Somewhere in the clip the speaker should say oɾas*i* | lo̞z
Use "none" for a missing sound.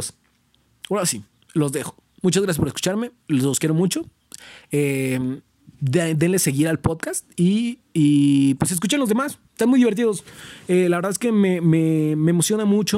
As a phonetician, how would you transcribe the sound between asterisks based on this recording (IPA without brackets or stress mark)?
i